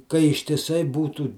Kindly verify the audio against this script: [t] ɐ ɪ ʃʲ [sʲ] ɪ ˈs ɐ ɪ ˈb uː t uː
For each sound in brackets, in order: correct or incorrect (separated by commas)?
incorrect, incorrect